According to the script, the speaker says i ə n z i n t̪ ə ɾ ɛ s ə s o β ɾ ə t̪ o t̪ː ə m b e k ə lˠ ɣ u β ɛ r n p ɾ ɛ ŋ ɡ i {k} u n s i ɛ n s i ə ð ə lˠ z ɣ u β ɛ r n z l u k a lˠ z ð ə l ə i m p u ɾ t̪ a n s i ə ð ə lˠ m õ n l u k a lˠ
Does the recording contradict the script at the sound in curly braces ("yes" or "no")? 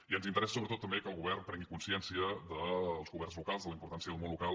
no